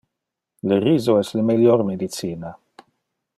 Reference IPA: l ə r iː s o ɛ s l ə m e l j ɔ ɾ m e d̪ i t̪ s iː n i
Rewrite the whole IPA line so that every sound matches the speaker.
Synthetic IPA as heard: l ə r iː z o ɛ s l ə m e l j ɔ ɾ m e d̪ i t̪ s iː n a